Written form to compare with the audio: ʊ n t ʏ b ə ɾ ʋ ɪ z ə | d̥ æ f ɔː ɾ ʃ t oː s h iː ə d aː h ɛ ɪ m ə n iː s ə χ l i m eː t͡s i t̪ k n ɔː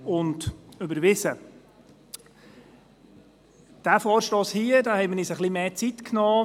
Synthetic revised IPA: ʊ n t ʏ b ə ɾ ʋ ɪ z ə | d̥ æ f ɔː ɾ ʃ t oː s h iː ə d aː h ɛ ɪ m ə n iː s ə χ l i m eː t͡s i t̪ k n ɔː